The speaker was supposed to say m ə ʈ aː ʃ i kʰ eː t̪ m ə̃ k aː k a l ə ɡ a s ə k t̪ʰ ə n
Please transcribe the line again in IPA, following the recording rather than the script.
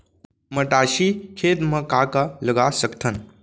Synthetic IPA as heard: m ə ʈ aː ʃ i kʰ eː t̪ m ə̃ k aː k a l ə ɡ a s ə k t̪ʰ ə n